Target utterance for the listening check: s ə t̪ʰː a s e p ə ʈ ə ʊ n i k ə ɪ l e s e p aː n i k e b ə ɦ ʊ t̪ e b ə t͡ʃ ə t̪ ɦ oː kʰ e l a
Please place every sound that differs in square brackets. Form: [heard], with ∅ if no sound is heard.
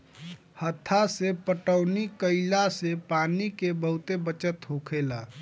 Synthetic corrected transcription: [h] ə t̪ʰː a s e p ə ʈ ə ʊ n i k ə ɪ l [a] s e p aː n i k e b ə ɦ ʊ t̪ e b ə t͡ʃ ə t̪ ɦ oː kʰ e l a